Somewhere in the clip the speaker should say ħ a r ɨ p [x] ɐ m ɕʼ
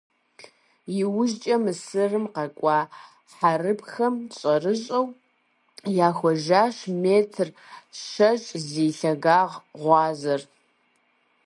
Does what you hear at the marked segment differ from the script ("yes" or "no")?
no